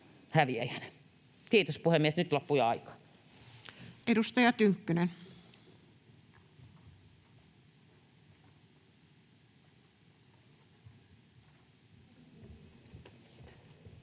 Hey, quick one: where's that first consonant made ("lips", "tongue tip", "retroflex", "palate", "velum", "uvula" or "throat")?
throat